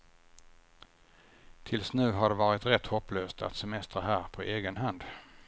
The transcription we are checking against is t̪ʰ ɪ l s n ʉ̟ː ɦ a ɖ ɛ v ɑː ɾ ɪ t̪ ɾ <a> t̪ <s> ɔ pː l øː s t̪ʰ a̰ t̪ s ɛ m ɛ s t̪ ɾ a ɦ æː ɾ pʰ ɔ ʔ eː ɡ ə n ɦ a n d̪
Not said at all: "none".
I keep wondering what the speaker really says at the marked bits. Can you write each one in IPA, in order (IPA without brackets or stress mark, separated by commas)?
ɛ, h